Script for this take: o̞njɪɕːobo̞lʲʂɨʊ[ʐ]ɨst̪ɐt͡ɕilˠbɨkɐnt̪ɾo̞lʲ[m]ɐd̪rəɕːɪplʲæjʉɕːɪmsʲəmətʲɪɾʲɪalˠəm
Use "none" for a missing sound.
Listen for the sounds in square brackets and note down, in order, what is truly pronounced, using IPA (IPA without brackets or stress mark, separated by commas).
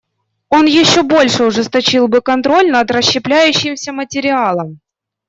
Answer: ʐ, n